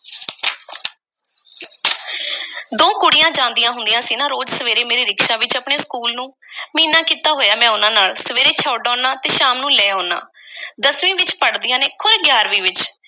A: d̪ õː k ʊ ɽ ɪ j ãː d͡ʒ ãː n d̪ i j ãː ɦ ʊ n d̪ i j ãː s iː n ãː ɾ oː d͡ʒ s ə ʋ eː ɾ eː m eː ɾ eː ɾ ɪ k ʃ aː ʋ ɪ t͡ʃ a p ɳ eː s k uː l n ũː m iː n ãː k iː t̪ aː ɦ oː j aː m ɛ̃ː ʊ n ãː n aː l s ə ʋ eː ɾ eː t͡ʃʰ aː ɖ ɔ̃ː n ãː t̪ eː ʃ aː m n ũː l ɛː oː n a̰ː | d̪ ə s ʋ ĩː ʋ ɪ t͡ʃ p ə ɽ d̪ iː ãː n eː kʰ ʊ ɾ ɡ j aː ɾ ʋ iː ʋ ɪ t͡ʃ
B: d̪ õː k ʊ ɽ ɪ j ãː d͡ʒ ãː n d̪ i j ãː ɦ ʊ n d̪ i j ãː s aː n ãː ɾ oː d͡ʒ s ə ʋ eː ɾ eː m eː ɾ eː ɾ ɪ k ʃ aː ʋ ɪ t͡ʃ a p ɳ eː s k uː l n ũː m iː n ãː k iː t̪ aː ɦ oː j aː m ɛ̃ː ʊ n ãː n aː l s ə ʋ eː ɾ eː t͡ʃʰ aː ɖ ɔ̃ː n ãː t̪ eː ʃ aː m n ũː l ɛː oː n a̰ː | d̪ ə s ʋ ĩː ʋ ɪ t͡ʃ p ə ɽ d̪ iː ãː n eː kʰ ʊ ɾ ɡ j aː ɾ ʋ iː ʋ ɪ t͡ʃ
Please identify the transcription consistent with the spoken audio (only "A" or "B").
A